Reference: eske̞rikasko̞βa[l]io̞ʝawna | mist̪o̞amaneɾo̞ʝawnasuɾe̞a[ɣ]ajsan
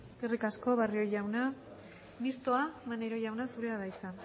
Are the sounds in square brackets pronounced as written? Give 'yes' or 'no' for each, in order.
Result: no, no

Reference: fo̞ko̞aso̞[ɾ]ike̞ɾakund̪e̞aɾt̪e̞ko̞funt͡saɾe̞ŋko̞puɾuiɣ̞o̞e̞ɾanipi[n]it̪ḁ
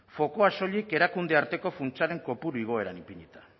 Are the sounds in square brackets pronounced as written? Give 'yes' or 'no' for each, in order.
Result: no, no

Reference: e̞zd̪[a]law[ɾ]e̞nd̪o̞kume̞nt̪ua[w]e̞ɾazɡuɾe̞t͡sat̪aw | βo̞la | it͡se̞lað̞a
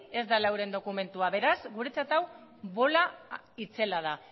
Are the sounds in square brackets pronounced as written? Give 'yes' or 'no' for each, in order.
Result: yes, yes, no

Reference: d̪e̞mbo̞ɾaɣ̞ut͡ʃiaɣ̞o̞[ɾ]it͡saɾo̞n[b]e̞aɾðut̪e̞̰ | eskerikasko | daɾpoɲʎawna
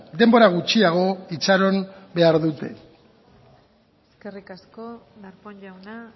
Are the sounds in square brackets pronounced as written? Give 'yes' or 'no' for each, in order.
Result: no, yes

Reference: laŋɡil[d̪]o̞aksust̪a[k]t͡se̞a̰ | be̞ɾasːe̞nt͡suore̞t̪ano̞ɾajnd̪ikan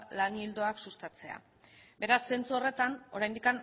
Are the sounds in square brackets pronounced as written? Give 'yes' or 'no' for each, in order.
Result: yes, no

